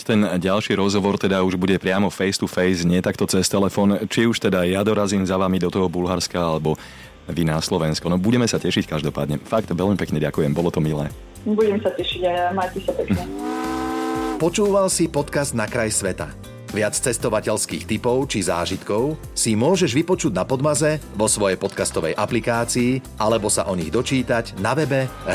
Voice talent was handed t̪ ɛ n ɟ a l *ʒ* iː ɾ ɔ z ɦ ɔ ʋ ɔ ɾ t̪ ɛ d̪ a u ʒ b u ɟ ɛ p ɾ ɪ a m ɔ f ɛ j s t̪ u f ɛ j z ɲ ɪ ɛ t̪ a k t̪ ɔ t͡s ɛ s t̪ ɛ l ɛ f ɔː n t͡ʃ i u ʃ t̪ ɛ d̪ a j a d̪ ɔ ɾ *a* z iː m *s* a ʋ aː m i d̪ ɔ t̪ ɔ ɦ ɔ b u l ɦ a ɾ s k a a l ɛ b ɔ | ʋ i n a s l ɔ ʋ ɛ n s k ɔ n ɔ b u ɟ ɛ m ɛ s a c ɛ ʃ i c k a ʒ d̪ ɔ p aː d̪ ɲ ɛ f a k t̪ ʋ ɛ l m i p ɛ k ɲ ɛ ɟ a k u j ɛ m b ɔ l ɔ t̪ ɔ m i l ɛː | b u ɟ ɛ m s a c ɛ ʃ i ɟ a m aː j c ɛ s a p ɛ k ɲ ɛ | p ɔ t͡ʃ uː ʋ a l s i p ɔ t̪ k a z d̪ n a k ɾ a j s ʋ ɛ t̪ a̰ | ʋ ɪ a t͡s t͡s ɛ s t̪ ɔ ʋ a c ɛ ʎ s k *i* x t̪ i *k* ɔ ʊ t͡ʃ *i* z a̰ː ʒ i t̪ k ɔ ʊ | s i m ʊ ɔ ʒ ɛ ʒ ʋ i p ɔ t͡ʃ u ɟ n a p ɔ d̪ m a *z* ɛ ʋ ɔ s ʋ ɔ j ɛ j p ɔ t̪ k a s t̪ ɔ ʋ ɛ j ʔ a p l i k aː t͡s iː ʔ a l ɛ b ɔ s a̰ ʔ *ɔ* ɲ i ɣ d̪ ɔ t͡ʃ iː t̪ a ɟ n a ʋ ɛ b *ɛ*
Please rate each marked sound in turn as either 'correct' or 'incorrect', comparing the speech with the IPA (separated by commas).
incorrect, correct, incorrect, incorrect, incorrect, correct, correct, correct, correct